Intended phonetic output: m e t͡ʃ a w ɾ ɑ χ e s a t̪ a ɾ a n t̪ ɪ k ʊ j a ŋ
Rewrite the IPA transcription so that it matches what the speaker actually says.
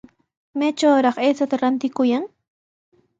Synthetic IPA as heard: m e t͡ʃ a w ɾ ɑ χ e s a t̪ a ɾ a n t̪ ɪ k ʊ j a ŋ